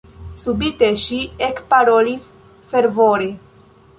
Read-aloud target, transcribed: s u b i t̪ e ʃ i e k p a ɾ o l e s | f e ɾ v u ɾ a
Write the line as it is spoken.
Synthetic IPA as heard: s u b i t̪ e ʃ i e k p a ɾ o l i s | f e ɾ v o ɾ e